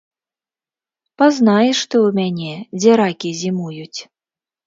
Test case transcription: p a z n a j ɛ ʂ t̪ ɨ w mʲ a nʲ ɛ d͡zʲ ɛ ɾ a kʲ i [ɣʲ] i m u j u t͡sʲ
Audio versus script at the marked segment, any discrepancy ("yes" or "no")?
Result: yes